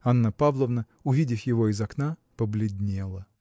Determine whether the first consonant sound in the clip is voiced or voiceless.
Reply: voiced